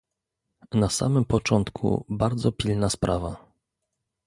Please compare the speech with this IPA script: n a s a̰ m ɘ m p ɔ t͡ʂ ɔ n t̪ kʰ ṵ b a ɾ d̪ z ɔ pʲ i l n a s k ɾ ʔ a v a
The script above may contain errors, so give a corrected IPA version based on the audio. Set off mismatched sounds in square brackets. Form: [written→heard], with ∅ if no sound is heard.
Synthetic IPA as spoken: n a s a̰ m ɘ m p ɔ t͡ʂ ɔ n t̪ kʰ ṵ b a ɾ d̪ z ɔ pʲ i l n a s [k→p] ɾ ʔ a v a